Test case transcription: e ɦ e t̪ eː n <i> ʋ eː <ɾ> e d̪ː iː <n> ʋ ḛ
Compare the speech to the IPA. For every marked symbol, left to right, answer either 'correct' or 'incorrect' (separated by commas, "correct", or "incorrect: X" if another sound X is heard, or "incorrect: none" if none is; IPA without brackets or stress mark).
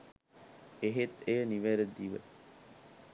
correct, correct, incorrect: none